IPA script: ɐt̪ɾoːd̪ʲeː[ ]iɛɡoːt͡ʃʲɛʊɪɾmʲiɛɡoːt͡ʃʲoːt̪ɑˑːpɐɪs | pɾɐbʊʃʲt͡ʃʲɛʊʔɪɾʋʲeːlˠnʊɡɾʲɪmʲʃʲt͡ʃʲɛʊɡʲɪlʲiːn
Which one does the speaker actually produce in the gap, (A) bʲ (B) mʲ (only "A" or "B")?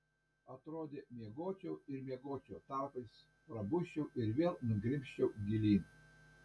B